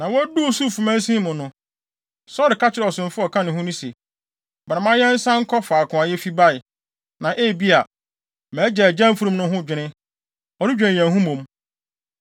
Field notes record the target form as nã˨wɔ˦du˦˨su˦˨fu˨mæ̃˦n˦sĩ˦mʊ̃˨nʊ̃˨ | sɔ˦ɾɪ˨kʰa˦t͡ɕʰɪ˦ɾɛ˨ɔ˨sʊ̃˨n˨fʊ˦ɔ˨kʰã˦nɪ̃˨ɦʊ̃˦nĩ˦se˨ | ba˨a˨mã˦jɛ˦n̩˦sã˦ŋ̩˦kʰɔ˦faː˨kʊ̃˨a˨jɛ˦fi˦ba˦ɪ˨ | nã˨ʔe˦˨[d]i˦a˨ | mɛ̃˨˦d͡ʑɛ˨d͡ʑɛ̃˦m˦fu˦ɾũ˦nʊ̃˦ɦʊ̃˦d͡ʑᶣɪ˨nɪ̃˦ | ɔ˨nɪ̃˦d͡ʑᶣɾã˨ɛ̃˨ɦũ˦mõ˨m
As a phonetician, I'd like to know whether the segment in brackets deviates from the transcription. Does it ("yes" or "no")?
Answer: yes